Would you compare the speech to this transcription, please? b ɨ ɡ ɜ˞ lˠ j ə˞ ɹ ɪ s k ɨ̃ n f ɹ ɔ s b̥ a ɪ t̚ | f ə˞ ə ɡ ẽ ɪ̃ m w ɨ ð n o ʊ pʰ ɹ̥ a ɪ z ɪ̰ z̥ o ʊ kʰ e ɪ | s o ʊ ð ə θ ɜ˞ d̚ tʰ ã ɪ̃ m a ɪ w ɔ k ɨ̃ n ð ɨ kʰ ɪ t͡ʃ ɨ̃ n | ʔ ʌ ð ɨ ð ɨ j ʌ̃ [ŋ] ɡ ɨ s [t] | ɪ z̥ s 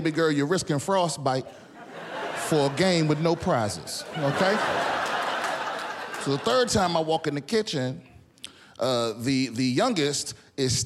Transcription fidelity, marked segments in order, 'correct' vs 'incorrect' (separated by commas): correct, correct